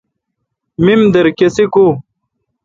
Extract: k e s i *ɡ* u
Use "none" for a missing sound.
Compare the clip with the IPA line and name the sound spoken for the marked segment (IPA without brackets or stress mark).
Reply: k